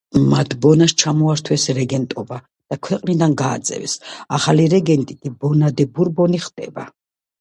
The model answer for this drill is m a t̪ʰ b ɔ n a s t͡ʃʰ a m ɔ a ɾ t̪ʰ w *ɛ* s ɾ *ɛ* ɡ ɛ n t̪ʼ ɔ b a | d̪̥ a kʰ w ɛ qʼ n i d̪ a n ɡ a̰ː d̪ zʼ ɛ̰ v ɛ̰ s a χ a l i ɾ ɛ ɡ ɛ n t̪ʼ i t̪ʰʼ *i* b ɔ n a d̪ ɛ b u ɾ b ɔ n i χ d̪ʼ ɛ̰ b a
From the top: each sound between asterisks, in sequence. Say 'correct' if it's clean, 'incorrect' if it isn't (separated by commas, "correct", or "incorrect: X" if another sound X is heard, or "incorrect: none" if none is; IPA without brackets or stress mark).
correct, correct, correct